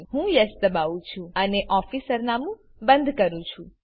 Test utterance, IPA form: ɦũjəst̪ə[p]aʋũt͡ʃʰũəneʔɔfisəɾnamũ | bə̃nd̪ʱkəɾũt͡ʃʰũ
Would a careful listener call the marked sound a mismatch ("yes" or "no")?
yes